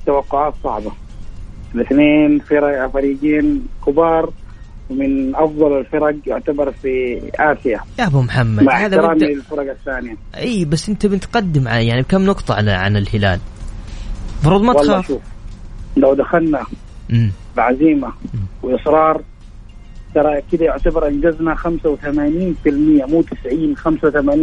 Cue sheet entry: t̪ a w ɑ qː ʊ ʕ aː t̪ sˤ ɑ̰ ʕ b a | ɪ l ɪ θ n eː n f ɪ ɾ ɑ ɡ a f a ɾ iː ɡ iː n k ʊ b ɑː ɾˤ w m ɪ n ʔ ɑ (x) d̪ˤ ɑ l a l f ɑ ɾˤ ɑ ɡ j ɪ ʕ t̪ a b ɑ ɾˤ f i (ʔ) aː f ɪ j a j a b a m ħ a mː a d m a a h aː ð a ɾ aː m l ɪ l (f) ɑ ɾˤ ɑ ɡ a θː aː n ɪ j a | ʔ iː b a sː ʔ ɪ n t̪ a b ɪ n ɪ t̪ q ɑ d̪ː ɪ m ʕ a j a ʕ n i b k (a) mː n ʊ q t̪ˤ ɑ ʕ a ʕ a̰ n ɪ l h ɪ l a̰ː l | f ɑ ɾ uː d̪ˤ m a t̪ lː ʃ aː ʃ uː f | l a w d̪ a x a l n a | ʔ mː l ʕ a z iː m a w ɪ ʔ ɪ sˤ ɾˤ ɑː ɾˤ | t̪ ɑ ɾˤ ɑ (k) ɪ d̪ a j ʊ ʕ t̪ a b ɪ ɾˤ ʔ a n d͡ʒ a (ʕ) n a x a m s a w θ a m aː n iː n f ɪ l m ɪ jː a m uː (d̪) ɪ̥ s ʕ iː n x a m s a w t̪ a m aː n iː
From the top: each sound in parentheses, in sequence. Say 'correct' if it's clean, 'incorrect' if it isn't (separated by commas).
incorrect, correct, correct, correct, correct, incorrect, incorrect